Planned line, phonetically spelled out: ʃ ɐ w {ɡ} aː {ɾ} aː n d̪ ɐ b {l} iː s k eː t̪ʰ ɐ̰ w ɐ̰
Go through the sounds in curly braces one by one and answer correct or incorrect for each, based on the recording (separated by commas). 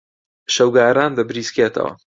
correct, correct, incorrect